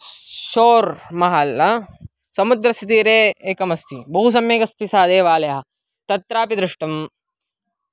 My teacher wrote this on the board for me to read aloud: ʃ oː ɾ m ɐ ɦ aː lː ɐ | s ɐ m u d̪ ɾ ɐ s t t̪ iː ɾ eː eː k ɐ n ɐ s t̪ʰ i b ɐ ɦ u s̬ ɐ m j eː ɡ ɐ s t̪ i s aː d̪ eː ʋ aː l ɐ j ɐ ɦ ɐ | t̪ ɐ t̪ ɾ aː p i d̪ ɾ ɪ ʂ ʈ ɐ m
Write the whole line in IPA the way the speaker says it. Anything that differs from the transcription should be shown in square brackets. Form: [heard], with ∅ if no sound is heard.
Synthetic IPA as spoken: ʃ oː ɾ m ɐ ɦ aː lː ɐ | s ɐ m u d̪ ɾ ɐ s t t̪ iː ɾ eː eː k ɐ [m] ɐ s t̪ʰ i b ɐ ɦ u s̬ ɐ m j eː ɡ ɐ s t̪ i s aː d̪ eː ʋ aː l ɐ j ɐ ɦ ɐ | t̪ ɐ t̪ ɾ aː p i d̪ ɾ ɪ ʂ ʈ ɐ m

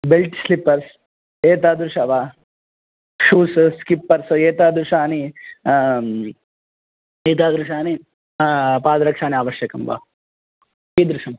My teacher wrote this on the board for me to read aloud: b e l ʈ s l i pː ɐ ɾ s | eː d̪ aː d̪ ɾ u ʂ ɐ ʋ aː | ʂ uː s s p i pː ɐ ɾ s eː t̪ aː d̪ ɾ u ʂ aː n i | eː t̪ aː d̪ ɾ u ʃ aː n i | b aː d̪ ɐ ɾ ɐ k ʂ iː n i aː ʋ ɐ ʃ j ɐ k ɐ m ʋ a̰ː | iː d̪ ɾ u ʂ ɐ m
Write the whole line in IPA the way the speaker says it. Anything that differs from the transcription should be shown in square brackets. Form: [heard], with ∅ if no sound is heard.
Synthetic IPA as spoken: b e l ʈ s l i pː ɐ ɾ s | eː [t̪] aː d̪ ɾ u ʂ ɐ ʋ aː | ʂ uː s s [k] i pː ɐ ɾ s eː t̪ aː d̪ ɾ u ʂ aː n i | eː t̪ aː d̪ ɾ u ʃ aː n i | [p] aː d̪ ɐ ɾ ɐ k ʂ [aː] n i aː ʋ ɐ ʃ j ɐ k ɐ m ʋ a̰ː | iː d̪ ɾ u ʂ ɐ m

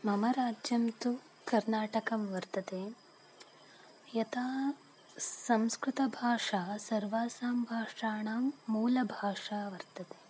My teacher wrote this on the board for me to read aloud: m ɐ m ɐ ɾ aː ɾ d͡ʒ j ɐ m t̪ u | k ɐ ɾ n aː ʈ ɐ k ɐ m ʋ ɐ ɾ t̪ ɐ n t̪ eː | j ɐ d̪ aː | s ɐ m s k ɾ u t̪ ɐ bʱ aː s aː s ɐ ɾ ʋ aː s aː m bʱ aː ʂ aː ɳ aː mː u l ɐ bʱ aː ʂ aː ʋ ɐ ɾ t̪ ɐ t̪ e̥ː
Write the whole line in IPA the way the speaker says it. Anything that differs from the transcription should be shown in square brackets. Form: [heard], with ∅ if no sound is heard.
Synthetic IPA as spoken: m ɐ m ɐ ɾ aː [∅] d͡ʒ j ɐ m t̪ u | k ɐ ɾ n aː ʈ ɐ k ɐ m ʋ ɐ ɾ t̪ ɐ [∅] t̪ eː | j ɐ [t̪] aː | s ɐ m s k ɾ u t̪ ɐ bʱ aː [ʂ] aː s ɐ ɾ ʋ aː s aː m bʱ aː ʂ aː ɳ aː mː [uː] l ɐ bʱ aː ʂ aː ʋ ɐ ɾ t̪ ɐ t̪ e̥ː

